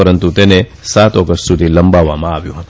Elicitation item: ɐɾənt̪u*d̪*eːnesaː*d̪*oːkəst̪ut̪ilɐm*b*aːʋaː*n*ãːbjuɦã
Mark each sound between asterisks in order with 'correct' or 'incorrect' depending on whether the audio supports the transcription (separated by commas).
incorrect, incorrect, correct, incorrect